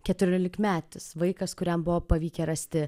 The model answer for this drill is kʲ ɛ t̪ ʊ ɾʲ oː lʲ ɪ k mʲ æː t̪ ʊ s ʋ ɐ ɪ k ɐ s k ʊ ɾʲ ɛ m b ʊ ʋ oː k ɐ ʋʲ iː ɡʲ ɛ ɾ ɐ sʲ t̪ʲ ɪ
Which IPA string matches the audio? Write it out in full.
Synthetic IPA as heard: kʲ ɛ t̪ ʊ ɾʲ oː lʲ ɪ k mʲ æː t̪ ʊ s ʋ ɐ ɪ k ɐ s k ʊ ɾʲ ɛ m b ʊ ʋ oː p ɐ ʋʲ iː kʲ ɛ ɾ ɐ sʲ t̪ʲ ɪ

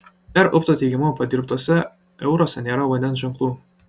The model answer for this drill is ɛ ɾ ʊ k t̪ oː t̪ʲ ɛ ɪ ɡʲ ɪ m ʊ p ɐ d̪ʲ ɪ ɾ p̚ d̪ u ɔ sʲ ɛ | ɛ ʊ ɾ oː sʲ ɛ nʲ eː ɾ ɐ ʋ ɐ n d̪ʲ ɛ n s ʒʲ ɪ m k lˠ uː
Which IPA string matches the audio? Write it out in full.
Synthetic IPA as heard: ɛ ɾ ʊ p t̪ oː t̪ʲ ɛ ɪ ɡʲ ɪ m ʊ p ɐ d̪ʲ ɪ ɾ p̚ t̪ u ɔ sʲ ɛ | ɛ ʊ ɾ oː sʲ ɛ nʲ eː ɾ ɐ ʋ ɐ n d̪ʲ ɛ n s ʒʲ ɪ ŋ k lˠ uː

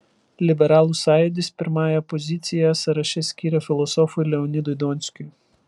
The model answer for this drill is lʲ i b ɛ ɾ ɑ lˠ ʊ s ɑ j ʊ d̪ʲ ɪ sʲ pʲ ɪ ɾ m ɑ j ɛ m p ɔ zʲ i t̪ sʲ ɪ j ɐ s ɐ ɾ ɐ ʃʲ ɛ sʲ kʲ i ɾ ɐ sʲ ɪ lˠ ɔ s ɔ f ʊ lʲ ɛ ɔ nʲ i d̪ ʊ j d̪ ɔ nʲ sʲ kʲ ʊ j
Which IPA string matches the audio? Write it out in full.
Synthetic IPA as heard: lʲ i b ɛ ɾ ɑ lˠ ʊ s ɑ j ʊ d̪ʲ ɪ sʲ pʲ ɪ ɾ m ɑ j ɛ p ɔ zʲ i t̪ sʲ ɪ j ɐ s ɐ ɾ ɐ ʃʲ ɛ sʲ kʲ i ɾ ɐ fʲ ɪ lˠ ɔ s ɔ f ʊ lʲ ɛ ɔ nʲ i d̪ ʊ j d̪ ɔ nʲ sʲ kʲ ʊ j

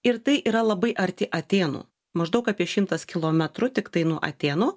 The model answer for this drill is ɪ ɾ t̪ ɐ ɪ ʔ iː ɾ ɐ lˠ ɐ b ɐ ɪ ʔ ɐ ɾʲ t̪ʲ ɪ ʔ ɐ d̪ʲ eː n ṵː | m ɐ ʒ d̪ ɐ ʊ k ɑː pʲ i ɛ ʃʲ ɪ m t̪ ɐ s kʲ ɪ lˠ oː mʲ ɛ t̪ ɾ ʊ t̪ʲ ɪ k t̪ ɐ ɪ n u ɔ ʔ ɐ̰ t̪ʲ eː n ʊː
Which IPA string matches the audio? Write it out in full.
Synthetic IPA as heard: ɪ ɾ t̪ ɐ ɪ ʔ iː ɾ ɐ lˠ ɐ b ɐ ɪ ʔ ɐ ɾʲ t̪ʲ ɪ ʔ ɐ t̪ʲ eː n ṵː | m ɐ ʒ d̪ ɐ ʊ k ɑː pʲ i ɛ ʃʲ ɪ m t̪ ɐ s kʲ ɪ lˠ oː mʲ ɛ t̪ ɾ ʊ t̪ʲ ɪ k t̪ ɐ ɪ n u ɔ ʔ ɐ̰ t̪ʲ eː n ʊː

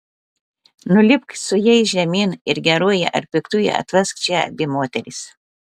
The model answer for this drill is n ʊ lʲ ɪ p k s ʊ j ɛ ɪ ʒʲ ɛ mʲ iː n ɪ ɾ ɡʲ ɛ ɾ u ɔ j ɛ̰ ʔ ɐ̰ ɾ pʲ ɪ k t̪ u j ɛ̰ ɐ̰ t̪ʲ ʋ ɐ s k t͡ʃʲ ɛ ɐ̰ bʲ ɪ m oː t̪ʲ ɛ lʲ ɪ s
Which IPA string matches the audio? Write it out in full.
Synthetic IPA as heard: n ʊ lʲ ɪ p k s ʊ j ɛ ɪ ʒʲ ɛ mʲ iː n ɪ ɾ ɡʲ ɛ ɾ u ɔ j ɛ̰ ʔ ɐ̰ ɾ pʲ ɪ k t̪ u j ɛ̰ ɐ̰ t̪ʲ ʋ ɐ s k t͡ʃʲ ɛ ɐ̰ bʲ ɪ m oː t̪ʲ ɛ ɾʲ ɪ s

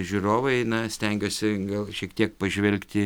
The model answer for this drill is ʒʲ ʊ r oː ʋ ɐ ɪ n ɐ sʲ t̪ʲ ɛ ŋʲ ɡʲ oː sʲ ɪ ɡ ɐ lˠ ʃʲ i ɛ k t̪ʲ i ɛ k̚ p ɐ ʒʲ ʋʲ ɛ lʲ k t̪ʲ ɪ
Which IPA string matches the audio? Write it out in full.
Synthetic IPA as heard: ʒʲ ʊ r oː ʋ ɐ ɪ n ɐ sʲ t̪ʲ ɛ ŋʲ ɡʲ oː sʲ ɪ ɡ ɐ lˠ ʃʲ i ɛ k t̪ʲ i ɛ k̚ p ɐ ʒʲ ʋʲ ɛ lʲ k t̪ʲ ɪ

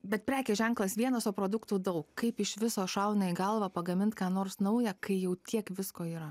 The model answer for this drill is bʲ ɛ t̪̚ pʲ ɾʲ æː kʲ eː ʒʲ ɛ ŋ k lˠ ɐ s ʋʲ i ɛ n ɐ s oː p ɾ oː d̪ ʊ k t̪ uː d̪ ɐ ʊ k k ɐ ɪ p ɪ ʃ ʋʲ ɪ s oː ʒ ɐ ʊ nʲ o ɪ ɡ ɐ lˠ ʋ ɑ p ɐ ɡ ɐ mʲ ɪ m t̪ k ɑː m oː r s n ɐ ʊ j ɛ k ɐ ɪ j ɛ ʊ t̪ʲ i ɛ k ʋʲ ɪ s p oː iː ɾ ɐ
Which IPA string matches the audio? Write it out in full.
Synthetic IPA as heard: bʲ ɛ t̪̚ pʲ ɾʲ æː kʲ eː ʒʲ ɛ ŋ k lˠ ɐ s ʋʲ i ɛ n ɐ s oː p ɾ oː d̪ ʊ k t̪ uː d̪ ɐ ʊ k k ɐ ɪ p ɪ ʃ ʋʲ ɪ s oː ʃ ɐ ʊ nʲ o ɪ ɡ ɐ lˠ ʋ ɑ p ɐ ɡ ɐ mʲ ɪ n t̪ k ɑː n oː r s n ɐ ʊ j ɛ k ɐ ɪ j ɛ ʊ t̪ʲ i ɛ k ʋʲ ɪ s k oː iː ɾ ɐ

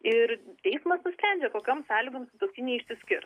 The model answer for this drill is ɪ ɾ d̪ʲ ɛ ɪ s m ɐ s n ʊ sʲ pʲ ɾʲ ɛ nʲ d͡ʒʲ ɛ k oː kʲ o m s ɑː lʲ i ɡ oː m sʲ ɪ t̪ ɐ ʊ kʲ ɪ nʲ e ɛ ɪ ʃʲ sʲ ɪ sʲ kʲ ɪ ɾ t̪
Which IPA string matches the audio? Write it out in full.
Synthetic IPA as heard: ɪ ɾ t̪ʲ ɛ ɪ s m ɐ s n ʊ sʲ pʲ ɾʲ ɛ nʲ d͡ʒʲ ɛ k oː kʲ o m s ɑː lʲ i ɡ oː m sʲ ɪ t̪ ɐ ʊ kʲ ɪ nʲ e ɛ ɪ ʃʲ sʲ ɪ sʲ kʲ ɪ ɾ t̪

